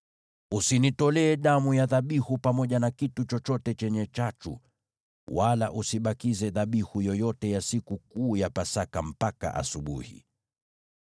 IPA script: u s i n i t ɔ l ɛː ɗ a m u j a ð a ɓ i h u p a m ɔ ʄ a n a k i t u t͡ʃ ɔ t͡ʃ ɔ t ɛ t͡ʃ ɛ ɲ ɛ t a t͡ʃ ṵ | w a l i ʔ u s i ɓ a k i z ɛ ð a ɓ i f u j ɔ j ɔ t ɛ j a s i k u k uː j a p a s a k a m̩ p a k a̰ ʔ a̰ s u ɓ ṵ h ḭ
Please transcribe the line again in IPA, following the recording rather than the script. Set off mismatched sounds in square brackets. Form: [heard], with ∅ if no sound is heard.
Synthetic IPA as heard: u s i n i t ɔ l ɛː ɗ a m u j a ð a ɓ i h u p a m ɔ ʄ a n a k i t u t͡ʃ ɔ t͡ʃ ɔ t ɛ t͡ʃ ɛ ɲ ɛ [t͡ʃ] a t͡ʃ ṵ | w a l [a] ʔ u s i ɓ a k i z ɛ ð a ɓ i [h] u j ɔ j ɔ t ɛ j a s i k u k uː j a p a s a k a m̩ p a k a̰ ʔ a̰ s u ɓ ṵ h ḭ